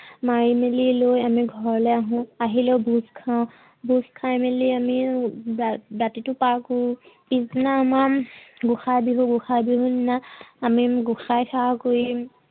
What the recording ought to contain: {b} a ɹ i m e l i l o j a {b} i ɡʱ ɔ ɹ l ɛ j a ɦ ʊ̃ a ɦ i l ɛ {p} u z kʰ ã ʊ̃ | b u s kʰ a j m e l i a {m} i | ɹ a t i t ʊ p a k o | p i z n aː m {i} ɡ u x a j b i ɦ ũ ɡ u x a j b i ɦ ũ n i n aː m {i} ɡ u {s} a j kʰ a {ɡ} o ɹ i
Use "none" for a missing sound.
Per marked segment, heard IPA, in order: m, m, b, m, a, i, x, k

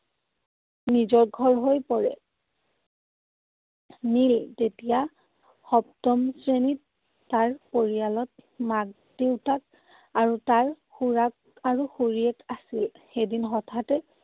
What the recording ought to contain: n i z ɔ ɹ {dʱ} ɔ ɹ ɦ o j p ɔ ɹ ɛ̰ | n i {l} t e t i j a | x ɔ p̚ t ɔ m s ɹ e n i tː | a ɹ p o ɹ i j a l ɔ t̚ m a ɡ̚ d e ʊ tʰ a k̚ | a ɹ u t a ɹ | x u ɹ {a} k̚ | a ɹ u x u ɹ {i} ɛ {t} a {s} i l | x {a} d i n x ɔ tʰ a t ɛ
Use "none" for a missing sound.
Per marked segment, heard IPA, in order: ɡʱ, l, a, i, k, s, e

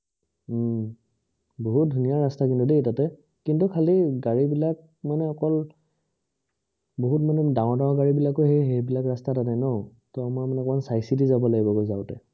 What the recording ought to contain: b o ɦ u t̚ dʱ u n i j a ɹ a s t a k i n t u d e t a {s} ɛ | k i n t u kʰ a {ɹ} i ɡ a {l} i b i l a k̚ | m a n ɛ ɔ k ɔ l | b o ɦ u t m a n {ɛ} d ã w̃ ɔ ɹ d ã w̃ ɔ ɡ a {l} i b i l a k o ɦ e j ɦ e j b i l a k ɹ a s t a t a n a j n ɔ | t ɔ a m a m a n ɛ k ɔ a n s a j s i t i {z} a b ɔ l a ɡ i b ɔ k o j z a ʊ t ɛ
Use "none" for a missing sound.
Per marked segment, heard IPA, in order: t, l, ɹ, ɛ, ɹ, z

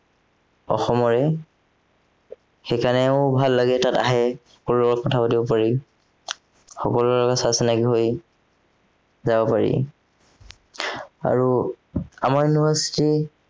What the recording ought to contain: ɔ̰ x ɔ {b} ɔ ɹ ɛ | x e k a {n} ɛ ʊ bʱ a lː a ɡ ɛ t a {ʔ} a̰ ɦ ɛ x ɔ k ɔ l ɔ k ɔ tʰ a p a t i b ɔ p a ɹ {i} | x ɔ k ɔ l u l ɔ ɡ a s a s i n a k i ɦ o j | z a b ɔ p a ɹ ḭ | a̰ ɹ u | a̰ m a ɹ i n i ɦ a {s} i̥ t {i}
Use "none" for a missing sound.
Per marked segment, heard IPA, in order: m, n, t, i, s, i

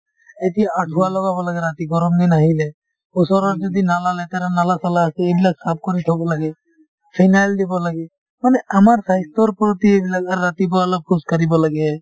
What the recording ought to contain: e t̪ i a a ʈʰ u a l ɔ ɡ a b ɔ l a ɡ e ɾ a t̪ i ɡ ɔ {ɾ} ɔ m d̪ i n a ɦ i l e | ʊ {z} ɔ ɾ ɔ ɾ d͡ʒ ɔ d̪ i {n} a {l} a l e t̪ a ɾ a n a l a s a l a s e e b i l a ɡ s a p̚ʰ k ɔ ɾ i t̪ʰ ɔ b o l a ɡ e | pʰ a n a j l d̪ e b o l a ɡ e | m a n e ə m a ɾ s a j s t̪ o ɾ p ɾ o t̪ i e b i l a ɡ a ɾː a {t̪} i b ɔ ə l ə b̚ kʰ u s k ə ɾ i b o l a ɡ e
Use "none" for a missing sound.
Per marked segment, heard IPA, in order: ɾ, s, n, l, t̪

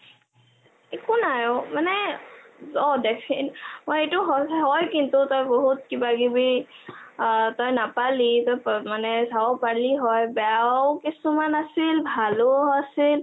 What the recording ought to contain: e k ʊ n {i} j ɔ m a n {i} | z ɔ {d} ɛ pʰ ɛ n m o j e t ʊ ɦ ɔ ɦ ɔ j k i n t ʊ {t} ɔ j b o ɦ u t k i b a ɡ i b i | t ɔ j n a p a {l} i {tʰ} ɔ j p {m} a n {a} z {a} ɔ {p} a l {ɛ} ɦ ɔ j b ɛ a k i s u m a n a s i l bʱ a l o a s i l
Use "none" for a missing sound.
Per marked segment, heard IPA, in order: a, ɛ, d, t, l, t, m, ɛ, a, p, i

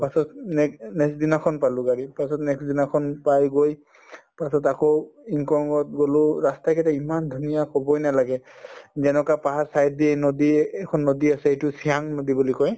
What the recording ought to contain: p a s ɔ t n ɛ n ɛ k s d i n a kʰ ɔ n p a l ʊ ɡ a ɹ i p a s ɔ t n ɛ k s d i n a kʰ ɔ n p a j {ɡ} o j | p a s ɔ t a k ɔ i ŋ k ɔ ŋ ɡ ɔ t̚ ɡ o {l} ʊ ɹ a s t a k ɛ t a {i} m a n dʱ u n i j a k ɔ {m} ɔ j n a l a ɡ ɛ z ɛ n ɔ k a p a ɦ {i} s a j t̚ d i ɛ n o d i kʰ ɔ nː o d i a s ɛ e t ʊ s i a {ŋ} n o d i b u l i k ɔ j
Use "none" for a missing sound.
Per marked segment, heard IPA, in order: ɡ, l, i, b, a, ŋ

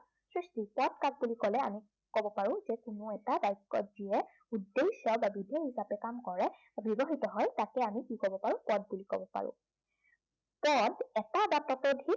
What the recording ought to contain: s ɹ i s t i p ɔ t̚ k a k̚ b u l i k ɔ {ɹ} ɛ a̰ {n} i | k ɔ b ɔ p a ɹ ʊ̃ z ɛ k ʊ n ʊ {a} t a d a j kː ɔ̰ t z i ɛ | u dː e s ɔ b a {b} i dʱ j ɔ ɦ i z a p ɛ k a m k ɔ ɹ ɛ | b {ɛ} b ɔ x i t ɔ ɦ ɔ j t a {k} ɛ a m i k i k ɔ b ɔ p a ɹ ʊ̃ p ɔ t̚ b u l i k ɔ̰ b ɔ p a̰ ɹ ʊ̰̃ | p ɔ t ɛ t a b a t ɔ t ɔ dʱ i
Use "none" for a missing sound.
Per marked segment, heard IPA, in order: l, m, ɛ, b, i, k

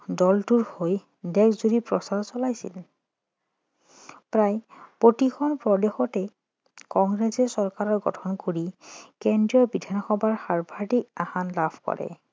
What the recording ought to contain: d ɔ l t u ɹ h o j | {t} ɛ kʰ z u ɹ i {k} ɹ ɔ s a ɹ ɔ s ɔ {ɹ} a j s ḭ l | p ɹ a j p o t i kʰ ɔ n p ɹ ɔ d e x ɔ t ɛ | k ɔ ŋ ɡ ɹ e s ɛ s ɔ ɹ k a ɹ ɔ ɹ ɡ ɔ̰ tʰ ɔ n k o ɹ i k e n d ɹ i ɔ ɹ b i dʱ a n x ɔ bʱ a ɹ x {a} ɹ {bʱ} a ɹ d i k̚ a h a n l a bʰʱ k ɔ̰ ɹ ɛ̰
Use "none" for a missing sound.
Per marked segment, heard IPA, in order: d, p, l, a, bʱ

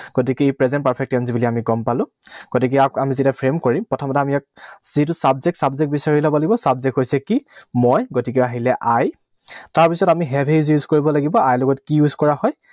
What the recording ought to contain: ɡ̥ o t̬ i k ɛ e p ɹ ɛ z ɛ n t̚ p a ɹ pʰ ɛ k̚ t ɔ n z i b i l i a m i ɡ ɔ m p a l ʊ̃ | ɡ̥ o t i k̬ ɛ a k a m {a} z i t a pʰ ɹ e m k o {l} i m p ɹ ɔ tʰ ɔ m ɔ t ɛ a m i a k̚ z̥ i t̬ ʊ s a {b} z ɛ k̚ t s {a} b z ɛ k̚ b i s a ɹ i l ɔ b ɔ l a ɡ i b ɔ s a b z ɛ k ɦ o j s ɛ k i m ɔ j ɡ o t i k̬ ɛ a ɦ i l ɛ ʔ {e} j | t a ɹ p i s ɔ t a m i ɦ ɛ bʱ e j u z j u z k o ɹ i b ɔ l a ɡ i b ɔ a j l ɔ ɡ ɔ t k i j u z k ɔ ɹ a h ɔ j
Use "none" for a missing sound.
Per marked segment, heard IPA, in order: i, ɹ, b, a, a

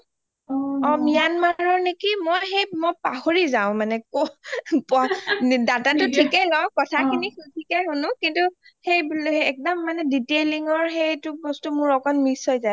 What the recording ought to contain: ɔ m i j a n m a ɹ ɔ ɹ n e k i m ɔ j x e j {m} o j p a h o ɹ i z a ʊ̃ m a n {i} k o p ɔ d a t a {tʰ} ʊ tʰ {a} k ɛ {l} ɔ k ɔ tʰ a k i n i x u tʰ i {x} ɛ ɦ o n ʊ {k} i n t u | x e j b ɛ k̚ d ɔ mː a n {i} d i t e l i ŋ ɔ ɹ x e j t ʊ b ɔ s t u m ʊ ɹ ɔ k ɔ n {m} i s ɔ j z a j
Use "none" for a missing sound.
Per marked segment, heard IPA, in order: m, ɛ, t, i, l, k, k, ɛ, m

